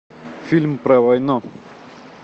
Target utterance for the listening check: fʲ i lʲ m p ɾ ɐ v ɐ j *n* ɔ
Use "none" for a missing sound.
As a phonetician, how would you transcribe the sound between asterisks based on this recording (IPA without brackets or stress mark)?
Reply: n